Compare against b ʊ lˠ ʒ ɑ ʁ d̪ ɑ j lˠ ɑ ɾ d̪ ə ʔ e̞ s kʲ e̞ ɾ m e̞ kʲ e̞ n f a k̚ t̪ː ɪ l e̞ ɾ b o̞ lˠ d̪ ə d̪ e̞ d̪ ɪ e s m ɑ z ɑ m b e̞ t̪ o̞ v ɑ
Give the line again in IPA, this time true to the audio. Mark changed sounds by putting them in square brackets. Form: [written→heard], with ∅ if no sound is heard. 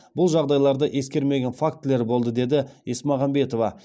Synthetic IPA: b ʊ lˠ ʒ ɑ ʁ d̪ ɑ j lˠ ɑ ɾ d̪ ə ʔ e̞ s kʲ e̞ ɾ m e̞ [kʲ→ɡʲ] e̞ n f a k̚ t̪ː ɪ l e̞ ɾ b o̞ lˠ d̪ ə d̪ e̞ d̪ ɪ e s m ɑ [z→ʁ] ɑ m b e̞ t̪ o̞ v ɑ